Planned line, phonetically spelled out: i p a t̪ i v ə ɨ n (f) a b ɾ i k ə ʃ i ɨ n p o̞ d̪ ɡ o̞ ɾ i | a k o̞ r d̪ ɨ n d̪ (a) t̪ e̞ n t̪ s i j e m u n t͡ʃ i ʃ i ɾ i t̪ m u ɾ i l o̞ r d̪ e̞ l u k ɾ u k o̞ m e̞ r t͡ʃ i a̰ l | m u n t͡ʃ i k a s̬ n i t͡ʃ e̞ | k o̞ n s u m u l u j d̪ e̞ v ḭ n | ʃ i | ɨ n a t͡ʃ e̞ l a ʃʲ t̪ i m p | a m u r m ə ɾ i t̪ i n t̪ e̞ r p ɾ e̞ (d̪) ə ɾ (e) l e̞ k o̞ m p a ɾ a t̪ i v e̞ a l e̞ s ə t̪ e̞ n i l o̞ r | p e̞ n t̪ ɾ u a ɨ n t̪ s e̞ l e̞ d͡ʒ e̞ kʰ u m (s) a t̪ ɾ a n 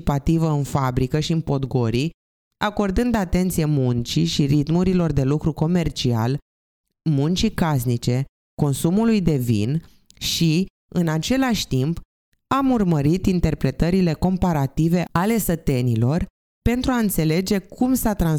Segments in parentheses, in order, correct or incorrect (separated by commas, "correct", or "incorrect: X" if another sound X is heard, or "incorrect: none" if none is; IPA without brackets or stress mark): correct, correct, incorrect: t̪, incorrect: i, correct